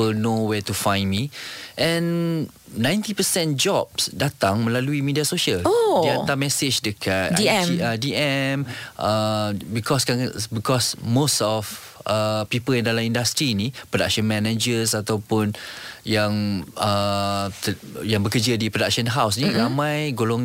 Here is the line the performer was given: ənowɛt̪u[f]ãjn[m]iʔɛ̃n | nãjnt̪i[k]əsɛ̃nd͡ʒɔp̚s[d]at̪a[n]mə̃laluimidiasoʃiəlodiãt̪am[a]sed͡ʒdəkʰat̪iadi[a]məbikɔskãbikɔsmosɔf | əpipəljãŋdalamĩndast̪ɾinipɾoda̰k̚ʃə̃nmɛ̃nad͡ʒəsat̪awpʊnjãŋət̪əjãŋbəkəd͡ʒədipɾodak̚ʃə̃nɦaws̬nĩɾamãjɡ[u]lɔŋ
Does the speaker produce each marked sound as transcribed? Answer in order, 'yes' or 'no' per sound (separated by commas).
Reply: yes, yes, no, yes, no, no, no, no